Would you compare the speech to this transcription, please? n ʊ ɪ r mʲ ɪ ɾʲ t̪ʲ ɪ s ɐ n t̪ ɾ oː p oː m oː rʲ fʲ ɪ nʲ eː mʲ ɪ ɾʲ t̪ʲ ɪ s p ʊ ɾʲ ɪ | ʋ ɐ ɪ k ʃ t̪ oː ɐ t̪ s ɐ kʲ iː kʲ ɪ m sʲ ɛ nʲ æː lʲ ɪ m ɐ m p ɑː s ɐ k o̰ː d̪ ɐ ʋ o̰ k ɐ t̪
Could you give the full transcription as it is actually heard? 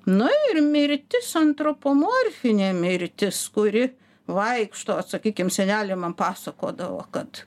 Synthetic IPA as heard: n ʊ ɪ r mʲ ɪ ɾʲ t̪ʲ ɪ s ɐ n t̪ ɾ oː p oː m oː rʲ fʲ ɪ nʲ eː mʲ ɪ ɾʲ t̪ʲ ɪ s k ʊ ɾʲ ɪ | ʋ ɐ ɪ k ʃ t̪ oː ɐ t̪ s ɐ kʲ iː kʲ ɪ m sʲ ɛ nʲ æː lʲ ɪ m ɐ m p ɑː s ɐ k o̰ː d̪ ɐ ʋ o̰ k ɐ t̪

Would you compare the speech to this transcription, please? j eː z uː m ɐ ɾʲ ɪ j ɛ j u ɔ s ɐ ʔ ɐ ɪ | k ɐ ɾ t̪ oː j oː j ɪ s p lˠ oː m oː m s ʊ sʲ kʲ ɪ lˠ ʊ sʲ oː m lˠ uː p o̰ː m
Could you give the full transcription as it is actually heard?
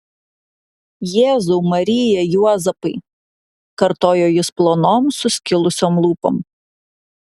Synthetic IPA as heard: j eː z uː m ɐ ɾʲ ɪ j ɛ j u ɔ z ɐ p ɐ ɪ | k ɐ ɾ t̪ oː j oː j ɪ s p lˠ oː n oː m s ʊ sʲ kʲ ɪ lˠ ʊ sʲ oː m lˠ uː p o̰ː m

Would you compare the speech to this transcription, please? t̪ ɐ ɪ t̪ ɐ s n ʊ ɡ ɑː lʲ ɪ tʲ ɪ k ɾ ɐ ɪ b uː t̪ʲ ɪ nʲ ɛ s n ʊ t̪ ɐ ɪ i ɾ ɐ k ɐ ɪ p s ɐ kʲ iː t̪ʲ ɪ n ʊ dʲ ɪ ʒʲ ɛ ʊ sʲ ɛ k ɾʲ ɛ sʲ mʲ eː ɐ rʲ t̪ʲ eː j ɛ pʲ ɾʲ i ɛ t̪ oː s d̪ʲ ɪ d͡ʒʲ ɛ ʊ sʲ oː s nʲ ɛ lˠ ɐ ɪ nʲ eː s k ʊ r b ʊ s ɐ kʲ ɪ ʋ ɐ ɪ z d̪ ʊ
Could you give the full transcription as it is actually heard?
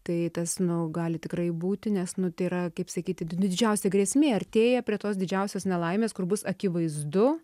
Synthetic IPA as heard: t̪ ɐ ɪ t̪ ɐ s n ʊ ɡ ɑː lʲ ɪ tʲ ɪ k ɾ ɐ ɪ b uː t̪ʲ ɪ nʲ ɛ s n ʊ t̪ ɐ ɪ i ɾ ɐ k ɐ ɪ p s ɐ kʲ iː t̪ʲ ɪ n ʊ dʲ ɪ d͡ʒʲ ɛ ʊ sʲ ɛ ɡ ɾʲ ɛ sʲ mʲ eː ɐ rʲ t̪ʲ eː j ɛ pʲ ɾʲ i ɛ t̪ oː s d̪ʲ ɪ d͡ʒʲ ɛ ʊ sʲ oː s nʲ ɛ lˠ ɐ ɪ mʲ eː s k ʊ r b ʊ s ɐ kʲ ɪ ʋ ɐ ɪ z d̪ ʊ

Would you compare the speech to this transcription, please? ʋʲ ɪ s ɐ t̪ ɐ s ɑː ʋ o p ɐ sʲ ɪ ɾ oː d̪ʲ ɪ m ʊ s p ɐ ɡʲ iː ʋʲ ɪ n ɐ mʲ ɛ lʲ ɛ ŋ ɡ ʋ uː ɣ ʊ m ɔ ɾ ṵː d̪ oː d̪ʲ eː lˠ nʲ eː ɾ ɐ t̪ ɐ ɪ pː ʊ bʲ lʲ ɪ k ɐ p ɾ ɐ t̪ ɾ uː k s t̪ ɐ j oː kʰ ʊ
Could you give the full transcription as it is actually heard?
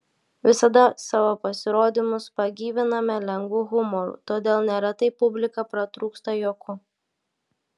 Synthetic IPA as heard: ʋʲ ɪ s ɐ d̪ ɐ s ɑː ʋ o p ɐ sʲ ɪ ɾ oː d̪ʲ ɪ m ʊ s p ɐ ɡʲ iː ʋʲ ɪ n ɐ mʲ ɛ lʲ ɛ ŋ ɡ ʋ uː ɣ ʊ m ɔ ɾ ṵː t̪ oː d̪ʲ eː lˠ nʲ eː ɾ ɐ t̪ ɐ ɪ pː ʊ bʲ lʲ ɪ k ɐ p ɾ ɐ t̪ ɾ uː k s t̪ ɐ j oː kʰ ʊ

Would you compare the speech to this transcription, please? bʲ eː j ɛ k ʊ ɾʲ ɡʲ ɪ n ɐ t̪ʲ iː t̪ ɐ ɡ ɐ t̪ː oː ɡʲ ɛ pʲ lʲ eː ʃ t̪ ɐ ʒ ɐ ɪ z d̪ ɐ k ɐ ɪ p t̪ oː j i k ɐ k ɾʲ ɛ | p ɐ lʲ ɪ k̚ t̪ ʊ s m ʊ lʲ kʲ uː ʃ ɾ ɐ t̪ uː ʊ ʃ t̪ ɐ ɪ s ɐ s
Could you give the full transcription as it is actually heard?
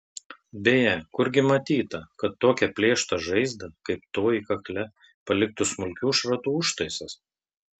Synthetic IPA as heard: bʲ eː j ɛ k ʊ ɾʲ ɡʲ ɪ m ɐ t̪ʲ iː t̪ ɐ k ɐ t̪ː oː kʲ ɛ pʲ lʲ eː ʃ t̪ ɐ ʒ ɐ ɪ z d̪ ɐ k ɐ ɪ p t̪ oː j i k ɐ k lʲ ɛ | p ɐ lʲ ɪ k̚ t̪ ʊ s m ʊ lʲ kʲ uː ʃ ɾ ɐ t̪ uː ʊ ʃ t̪ ɐ ɪ s ɐ s

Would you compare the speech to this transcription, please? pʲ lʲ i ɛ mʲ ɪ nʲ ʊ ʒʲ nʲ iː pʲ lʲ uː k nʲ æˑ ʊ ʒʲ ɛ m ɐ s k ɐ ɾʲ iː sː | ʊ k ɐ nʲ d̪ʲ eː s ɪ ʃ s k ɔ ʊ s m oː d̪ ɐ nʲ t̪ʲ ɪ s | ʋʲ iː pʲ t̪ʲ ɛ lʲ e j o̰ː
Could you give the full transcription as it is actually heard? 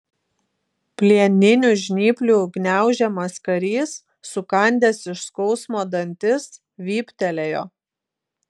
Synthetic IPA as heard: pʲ lʲ i ɛ nʲ ɪ nʲ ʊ ʒʲ nʲ iː pʲ lʲ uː ɡ nʲ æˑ ʊ ʒʲ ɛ m ɐ s k ɐ ɾʲ iː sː | ʊ k ɐ nʲ d̪ʲ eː s ɪ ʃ s k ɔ ʊ s m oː d̪ ɐ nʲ t̪ʲ ɪ s | ʋʲ iː pʲ t̪ʲ ɛ lʲ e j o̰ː

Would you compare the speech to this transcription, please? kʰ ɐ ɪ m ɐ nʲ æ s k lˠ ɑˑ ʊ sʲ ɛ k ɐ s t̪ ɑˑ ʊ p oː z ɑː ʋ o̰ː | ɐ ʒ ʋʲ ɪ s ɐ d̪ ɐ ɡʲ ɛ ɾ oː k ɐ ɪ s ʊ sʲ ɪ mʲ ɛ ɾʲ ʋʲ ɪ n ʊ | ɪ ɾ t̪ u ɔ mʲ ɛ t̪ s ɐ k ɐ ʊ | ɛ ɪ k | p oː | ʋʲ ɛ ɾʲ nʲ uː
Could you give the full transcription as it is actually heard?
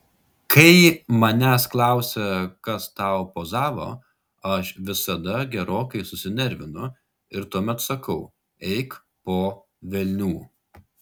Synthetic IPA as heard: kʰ ɐ ɪ m ɐ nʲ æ s k lˠ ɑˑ ʊ sʲ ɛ k ɐ s t̪ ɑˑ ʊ p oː z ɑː ʋ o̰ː | ɐ ʃ ʋʲ ɪ s ɐ d̪ ɐ ɡʲ ɛ ɾ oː k ɐ ɪ s ʊ sʲ ɪ nʲ ɛ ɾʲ ʋʲ ɪ n ʊ | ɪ ɾ t̪ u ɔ mʲ ɛ t̪ s ɐ k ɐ ʊ | ɛ ɪ k | p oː | ʋʲ ɛ lʲ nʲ uː

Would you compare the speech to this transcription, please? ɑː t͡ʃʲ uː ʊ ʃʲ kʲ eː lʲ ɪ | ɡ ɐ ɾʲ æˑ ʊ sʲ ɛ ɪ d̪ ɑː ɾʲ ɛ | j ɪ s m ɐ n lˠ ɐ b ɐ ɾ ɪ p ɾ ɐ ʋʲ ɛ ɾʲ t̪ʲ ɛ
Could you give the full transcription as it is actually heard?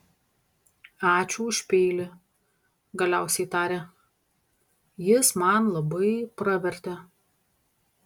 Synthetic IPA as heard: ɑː t͡ʃʲ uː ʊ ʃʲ pʲ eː lʲ ɪ | ɡ ɐ lʲ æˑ ʊ sʲ ɛ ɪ t̪ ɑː ɾʲ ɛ | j ɪ s m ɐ n lˠ ɐ b ɐ ɪ p ɾ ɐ ʋʲ ɛ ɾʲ t̪ʲ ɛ

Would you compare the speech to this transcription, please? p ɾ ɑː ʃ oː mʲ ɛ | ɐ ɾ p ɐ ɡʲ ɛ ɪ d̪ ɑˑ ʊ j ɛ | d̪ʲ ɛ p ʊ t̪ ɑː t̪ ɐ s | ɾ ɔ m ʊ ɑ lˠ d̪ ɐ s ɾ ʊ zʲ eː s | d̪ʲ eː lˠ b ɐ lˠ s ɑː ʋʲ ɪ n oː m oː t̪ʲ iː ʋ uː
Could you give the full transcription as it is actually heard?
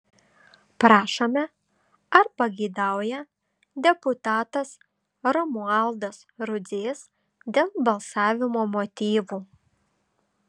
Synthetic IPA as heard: p ɾ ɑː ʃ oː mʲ ɛ | ɐ ɾ p ɐ ɡʲ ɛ ɪ d̪ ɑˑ ʊ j ɛ | d̪ʲ ɛ p ʊ t̪ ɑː t̪ ɐ s | ɾ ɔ m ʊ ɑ lˠ d̪ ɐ s ɾ ʊ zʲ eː s | d̪ʲ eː lˠ b ɐ lˠ s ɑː ʋʲ ɪ m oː m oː t̪ʲ iː ʋ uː

